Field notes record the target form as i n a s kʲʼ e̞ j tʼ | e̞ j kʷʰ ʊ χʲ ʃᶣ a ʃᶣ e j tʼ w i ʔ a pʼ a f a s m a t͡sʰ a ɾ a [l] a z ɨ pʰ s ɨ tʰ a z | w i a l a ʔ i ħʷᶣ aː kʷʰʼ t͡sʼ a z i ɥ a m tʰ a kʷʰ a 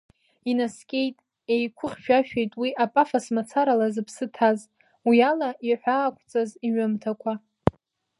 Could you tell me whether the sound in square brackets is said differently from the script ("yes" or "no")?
no